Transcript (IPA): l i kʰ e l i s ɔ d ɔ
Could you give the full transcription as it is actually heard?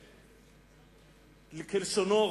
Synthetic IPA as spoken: l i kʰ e l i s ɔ n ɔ